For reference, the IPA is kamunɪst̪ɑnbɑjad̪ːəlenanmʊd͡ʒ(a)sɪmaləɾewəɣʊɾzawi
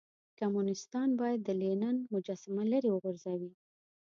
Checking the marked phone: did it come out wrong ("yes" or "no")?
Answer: yes